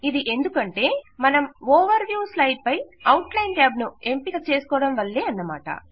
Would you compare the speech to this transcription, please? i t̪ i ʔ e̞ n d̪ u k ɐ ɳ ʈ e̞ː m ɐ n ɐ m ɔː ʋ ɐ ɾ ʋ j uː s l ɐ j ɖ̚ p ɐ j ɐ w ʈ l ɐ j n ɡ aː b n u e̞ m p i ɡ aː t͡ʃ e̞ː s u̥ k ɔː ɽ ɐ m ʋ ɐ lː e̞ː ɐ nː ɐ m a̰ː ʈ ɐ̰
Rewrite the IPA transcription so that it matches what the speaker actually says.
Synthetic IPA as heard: i d̪ i ʔ e̞ n d̪ u k ɐ ɳ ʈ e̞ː m ɐ n ɐ m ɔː ʋ ɐ ɾ ʋ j uː s l ɐ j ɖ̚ p ɐ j ɐ w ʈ l ɐ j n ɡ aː b n u e̞ m p i ɡ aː t͡ʃ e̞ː s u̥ k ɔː ɽ ɐ m ʋ ɐ lː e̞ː ɐ nː ɐ m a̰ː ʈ ɐ̰